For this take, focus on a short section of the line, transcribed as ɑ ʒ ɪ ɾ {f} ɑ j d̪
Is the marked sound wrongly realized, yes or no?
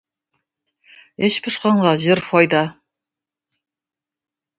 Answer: no